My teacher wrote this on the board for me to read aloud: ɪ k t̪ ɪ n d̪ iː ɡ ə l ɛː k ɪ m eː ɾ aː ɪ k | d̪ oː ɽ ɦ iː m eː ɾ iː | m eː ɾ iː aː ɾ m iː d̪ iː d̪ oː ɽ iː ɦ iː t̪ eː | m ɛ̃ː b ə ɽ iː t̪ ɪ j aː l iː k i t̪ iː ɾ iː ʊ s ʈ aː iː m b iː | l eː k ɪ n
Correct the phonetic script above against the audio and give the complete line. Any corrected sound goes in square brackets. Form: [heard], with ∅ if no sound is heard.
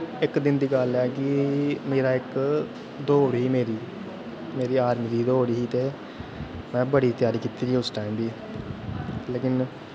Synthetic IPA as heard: ɪ k [d̪] ɪ n d̪ iː ɡ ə l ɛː k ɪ m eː ɾ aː ɪ k | d̪ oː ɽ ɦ iː m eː ɾ iː | m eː ɾ iː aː ɾ m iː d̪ iː d̪ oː ɽ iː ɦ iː t̪ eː | m ɛ̃ː b ə ɽ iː t̪ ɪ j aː [ɾ] iː k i t̪ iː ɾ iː ʊ s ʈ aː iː m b iː | l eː k ɪ n